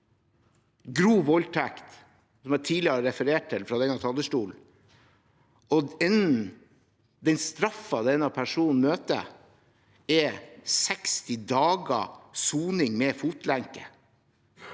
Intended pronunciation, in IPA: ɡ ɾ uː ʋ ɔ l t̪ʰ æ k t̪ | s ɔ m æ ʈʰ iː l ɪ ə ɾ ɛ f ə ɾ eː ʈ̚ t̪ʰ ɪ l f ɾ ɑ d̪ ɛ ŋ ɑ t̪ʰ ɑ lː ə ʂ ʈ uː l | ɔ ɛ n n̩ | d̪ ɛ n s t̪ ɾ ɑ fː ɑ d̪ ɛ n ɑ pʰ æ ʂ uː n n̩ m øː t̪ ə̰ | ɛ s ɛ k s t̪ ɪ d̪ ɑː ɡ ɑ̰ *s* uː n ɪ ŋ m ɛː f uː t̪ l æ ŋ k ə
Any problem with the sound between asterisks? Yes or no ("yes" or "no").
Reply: no